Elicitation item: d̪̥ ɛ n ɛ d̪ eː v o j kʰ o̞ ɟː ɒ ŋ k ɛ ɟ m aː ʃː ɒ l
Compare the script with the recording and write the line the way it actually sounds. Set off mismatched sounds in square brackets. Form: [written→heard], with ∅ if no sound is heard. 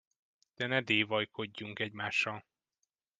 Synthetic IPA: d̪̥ ɛ n ɛ d̪ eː v [o→ɒ] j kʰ o̞ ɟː [ɒ→u] ŋ k ɛ ɟ m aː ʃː ɒ l